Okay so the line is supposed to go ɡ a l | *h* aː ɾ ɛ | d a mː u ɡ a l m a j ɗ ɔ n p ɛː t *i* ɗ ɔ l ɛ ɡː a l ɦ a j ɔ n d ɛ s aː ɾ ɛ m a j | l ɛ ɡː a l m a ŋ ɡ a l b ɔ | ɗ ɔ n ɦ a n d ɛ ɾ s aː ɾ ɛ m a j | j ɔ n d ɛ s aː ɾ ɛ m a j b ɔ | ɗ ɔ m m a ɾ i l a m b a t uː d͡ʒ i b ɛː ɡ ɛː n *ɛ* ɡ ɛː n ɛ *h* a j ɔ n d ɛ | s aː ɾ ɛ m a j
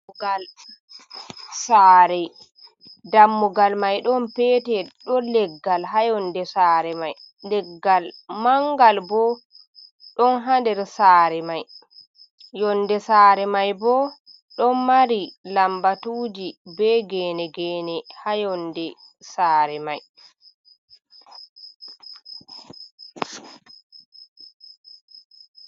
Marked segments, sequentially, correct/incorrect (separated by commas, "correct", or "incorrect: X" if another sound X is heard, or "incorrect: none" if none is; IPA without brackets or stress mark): incorrect: s, incorrect: ɛ, correct, correct